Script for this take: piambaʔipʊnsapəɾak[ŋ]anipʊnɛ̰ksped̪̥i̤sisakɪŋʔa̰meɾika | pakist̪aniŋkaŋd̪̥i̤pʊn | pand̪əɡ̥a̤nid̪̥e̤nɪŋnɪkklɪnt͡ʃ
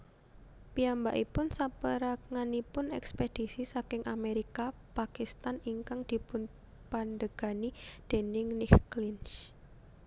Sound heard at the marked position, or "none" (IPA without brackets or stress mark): ŋ